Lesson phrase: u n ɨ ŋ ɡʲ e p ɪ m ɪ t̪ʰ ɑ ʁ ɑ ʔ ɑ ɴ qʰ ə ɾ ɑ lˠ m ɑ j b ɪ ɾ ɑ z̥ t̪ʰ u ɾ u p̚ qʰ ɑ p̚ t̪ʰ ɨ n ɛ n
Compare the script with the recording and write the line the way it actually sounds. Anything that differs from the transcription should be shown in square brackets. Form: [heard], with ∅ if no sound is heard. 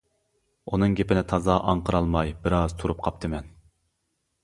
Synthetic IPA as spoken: u n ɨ ŋ ɡʲ e p ɪ [n] ɪ t̪ʰ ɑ [z] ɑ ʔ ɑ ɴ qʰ ə ɾ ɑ lˠ m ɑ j b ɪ ɾ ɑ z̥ t̪ʰ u ɾ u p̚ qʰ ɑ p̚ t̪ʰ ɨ [m] ɛ n